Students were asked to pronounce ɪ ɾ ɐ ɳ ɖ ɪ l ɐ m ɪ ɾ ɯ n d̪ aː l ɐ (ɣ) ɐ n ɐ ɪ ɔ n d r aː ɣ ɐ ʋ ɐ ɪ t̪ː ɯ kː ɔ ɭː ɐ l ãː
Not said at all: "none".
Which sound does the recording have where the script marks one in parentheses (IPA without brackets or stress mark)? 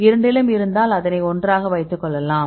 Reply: ð